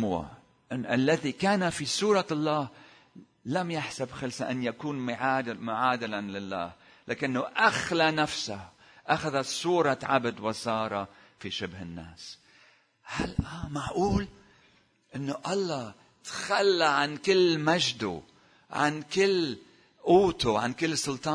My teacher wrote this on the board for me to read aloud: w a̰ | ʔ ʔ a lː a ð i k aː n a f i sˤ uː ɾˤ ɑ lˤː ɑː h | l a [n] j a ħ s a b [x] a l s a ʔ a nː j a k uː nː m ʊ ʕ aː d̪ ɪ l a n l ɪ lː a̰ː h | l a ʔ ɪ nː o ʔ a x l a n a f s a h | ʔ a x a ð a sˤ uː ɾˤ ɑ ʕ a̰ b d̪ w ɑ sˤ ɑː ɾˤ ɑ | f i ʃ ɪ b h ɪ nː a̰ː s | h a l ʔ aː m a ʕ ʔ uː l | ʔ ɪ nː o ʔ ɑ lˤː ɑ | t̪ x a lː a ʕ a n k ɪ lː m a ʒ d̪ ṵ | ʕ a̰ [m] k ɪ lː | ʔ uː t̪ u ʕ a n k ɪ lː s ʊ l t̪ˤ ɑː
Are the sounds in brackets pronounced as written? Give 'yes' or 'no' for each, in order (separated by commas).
no, yes, no